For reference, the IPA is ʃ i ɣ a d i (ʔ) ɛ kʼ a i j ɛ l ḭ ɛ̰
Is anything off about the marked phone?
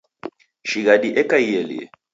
no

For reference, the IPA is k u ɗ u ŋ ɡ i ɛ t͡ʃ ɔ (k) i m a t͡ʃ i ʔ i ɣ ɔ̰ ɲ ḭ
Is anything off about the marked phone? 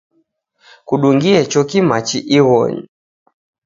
no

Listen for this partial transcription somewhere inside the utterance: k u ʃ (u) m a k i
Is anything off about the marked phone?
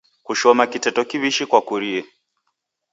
yes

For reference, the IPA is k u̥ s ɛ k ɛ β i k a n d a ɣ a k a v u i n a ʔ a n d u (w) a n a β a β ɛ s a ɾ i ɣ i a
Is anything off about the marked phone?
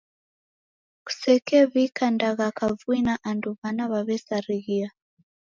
yes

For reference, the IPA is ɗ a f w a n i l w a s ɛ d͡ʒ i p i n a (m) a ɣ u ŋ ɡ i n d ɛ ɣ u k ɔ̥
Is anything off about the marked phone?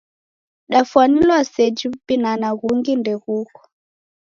yes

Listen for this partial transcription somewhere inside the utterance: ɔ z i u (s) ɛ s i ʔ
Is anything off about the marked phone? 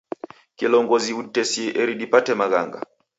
yes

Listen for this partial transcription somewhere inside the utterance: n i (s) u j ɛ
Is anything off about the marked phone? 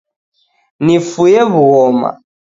yes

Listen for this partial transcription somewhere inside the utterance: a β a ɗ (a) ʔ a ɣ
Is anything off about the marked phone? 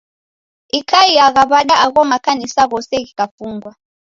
no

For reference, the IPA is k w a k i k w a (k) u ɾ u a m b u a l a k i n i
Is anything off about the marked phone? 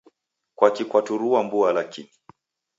yes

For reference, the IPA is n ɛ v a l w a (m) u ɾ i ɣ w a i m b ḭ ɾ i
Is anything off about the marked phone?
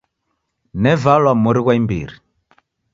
no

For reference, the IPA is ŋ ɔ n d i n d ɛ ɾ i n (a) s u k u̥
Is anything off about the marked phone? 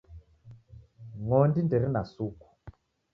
no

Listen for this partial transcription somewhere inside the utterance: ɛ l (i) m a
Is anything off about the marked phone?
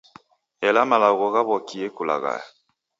yes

